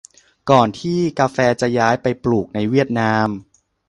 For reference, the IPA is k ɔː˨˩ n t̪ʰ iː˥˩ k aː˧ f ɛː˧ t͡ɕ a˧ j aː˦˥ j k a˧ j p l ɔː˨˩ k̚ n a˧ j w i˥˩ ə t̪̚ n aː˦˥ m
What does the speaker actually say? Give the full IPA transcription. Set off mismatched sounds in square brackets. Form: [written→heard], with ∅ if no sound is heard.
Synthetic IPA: k ɔː˨˩ n t̪ʰ iː˥˩ k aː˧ f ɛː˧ t͡ɕ [a˧→a˨˩] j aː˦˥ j [k→p] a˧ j p l [ɔː˨˩→uː˨˩] k̚ n a˧ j w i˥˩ ə t̪̚ n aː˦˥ m